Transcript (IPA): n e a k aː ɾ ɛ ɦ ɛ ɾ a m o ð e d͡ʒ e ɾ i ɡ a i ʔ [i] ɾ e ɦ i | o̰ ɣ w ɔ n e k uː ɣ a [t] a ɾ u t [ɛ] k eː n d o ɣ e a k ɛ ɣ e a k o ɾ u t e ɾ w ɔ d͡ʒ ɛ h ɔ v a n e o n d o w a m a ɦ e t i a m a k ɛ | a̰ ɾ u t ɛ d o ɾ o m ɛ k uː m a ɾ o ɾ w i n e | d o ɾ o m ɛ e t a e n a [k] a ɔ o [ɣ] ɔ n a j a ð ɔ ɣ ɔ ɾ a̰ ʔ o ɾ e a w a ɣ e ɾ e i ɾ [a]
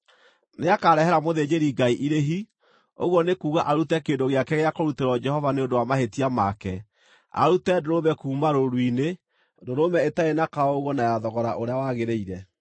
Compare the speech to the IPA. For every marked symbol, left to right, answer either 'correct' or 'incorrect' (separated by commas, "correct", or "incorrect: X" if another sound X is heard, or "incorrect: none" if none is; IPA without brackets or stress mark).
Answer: correct, incorrect: ʔ, correct, correct, correct, incorrect: ɛ